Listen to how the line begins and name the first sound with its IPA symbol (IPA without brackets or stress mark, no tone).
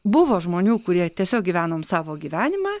b